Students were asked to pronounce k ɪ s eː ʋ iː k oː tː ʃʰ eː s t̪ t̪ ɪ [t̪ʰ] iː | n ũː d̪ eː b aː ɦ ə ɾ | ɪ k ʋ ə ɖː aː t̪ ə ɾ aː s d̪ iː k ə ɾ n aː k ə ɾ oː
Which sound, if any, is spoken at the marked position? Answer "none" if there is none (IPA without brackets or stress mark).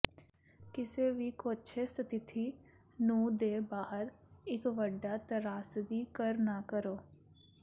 t̪ʰ